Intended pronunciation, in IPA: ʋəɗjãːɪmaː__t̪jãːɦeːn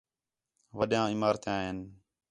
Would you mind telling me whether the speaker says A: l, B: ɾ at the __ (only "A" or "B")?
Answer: B